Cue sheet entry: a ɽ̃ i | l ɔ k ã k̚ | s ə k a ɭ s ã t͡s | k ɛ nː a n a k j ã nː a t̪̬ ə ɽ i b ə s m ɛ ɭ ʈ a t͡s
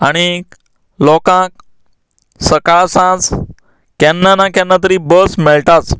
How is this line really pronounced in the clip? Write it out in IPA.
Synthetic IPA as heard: a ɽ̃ i | l ɔ k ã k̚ | s ə k a ɭ s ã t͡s | k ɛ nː a n a k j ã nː a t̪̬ ə ɾ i b ə s m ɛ ɭ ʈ a t͡s

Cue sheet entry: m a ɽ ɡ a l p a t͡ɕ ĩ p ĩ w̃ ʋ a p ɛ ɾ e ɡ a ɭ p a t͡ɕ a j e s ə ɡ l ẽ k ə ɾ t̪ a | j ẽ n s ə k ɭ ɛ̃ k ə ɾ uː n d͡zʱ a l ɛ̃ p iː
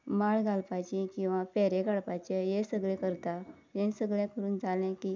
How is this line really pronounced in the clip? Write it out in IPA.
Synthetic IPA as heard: m a ɭ ɡ a l p a t͡ɕ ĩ k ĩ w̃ ʋ a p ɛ ɾ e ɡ a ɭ p a t͡ɕ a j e s ə ɡ ɭ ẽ k ə ɾ t̪ a | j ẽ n s ə ɡ ɭ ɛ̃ k ə ɾ uː n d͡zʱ a l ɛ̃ k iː

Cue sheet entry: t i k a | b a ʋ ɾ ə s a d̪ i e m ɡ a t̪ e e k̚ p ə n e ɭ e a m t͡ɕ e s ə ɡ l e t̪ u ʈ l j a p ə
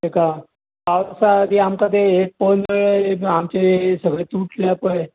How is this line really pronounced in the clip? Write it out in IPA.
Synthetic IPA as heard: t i k a | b a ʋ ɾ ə s a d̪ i a m k a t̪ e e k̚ p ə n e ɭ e a m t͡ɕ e s ə ɡ ɭ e t̪ u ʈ l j a p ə

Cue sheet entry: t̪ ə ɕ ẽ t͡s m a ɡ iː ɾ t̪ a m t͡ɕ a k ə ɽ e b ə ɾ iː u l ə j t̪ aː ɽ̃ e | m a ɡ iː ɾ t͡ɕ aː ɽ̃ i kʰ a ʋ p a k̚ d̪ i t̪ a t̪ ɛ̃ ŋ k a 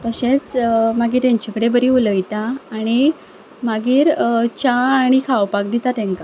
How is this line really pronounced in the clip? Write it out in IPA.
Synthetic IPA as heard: t̪ ə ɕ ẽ t͡s m a ɡ iː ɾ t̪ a ɲ t͡ɕ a k ə ɽ e b ə ɾ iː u l ə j t̪ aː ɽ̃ i | m a ɡ iː ɾ t͡ɕ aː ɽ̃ i kʰ a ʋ p a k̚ d̪ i t̪ a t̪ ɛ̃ ŋ k a

